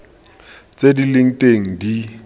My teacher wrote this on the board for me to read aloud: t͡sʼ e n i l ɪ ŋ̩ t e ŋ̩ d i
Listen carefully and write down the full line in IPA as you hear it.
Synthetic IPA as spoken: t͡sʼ e d i l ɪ ŋ̩ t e ŋ̩ d i